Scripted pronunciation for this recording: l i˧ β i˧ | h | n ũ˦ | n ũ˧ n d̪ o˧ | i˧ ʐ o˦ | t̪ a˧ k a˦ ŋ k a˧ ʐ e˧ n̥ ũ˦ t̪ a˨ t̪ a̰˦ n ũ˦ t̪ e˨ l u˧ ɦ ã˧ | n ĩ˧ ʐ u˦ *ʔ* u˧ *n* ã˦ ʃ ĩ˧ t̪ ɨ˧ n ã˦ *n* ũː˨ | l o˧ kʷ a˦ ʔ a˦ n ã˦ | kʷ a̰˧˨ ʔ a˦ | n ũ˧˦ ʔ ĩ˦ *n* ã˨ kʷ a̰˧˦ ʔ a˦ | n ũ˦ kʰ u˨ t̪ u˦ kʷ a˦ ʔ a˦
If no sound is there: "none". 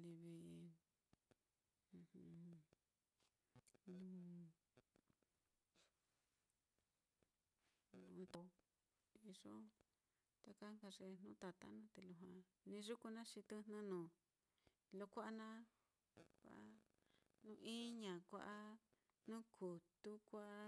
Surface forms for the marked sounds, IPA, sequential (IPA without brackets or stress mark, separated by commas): k, n, n, ɲ